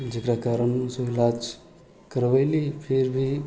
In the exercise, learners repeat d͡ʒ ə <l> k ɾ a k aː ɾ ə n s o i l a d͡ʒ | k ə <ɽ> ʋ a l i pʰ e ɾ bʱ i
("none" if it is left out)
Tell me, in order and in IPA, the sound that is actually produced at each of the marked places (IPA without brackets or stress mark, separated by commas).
none, ɾ